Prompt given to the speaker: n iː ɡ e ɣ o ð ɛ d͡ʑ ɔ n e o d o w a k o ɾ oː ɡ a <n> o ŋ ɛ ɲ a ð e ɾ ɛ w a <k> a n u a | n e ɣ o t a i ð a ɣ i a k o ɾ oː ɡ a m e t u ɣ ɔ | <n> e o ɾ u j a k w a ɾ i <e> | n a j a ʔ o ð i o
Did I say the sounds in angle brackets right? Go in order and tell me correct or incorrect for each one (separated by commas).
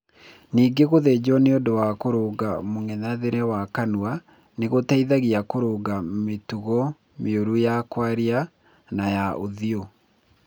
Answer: incorrect, correct, incorrect, incorrect